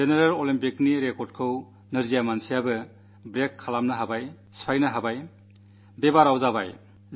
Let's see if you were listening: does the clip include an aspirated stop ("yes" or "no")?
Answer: yes